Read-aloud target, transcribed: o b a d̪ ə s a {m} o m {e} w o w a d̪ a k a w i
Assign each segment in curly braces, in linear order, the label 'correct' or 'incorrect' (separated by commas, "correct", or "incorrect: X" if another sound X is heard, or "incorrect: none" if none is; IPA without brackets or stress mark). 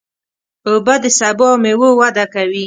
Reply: incorrect: b, correct